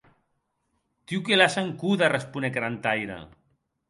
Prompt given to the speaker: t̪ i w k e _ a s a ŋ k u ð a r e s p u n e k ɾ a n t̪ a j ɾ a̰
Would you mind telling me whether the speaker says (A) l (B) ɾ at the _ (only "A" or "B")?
A